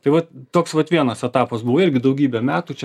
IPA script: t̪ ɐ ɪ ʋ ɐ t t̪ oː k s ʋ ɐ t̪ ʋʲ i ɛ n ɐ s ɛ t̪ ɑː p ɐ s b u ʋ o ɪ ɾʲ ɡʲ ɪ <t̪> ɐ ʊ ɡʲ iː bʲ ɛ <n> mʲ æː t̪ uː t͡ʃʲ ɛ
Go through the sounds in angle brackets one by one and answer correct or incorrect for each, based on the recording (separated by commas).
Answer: incorrect, incorrect